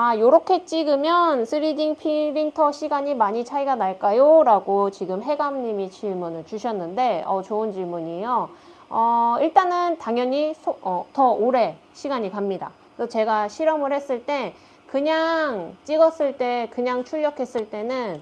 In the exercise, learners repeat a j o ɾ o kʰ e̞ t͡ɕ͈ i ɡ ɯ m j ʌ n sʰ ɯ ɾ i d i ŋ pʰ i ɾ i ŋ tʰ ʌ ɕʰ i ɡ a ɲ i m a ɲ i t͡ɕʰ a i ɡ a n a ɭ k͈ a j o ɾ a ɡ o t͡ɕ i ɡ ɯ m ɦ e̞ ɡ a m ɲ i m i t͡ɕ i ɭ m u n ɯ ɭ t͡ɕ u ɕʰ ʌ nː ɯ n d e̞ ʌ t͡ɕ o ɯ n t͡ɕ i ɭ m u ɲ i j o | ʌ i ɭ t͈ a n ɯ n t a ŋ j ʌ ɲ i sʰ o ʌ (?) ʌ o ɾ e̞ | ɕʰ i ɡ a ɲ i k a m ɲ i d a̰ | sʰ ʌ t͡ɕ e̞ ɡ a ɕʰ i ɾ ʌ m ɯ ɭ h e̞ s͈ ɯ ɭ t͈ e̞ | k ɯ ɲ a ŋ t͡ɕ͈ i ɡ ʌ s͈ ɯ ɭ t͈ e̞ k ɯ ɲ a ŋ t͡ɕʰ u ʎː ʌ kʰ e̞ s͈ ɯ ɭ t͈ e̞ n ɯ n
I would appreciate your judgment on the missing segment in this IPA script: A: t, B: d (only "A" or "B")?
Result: A